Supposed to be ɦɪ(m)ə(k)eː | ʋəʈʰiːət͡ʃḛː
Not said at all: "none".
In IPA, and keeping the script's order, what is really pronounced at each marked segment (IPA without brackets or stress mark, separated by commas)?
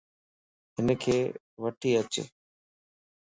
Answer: n, kʰ